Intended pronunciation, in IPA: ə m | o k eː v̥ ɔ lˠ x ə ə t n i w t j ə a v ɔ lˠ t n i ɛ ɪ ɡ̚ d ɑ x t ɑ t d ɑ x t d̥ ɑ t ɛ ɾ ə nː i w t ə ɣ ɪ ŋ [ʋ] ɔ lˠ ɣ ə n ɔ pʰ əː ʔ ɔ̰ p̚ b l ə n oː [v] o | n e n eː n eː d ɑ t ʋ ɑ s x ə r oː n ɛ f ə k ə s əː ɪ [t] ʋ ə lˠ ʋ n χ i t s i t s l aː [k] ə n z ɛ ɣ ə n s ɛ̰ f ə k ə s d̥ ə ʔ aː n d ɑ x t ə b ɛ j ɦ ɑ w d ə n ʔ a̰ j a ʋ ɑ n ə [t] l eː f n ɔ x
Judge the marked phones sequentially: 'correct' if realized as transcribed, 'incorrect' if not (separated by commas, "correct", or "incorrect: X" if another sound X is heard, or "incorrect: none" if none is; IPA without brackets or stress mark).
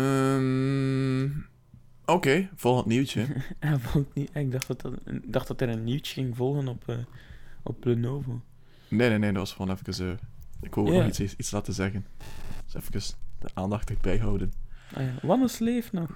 incorrect: v, correct, incorrect: k, incorrect: t, incorrect: s